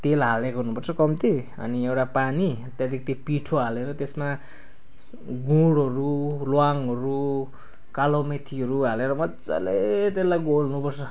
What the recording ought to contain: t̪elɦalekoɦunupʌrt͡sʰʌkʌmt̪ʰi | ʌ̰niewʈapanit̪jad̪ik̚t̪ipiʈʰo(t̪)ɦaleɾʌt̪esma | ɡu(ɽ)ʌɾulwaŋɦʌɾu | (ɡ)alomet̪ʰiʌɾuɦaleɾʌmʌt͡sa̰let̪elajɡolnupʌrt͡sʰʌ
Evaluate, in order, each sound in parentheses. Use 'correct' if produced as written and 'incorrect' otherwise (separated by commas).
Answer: incorrect, correct, incorrect